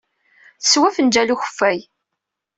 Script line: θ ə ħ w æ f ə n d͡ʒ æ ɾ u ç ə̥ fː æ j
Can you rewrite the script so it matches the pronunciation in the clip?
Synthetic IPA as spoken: θ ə s w æ f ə n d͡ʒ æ l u ç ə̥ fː æ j